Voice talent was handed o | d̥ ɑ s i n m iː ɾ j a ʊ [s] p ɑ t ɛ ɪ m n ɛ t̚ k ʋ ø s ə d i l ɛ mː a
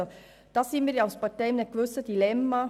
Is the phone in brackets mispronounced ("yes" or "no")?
no